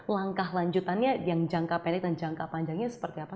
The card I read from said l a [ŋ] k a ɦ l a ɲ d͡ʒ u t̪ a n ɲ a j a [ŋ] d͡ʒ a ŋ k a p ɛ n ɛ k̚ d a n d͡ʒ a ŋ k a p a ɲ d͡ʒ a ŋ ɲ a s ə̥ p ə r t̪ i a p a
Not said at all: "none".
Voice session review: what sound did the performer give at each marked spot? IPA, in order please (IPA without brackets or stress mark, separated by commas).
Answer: ŋ, ŋ